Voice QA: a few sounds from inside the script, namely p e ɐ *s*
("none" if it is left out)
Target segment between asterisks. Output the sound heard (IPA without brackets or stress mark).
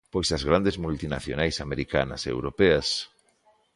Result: s